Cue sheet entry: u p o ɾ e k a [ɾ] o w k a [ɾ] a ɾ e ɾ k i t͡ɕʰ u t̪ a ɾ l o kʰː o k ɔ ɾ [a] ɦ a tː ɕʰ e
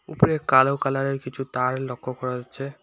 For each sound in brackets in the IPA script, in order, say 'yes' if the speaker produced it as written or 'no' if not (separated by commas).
no, no, yes